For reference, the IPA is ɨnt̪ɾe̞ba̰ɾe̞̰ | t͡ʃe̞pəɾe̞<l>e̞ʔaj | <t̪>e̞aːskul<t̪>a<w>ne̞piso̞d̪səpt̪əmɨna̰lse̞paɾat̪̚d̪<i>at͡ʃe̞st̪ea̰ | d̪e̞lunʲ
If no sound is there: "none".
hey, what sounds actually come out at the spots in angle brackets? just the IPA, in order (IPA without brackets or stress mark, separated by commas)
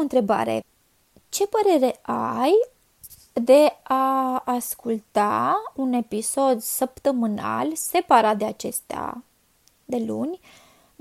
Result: ɾ, d̪, t̪, u, e